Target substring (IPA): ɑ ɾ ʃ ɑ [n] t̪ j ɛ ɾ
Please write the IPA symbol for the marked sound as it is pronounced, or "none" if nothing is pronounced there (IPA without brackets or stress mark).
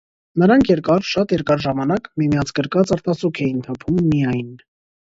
none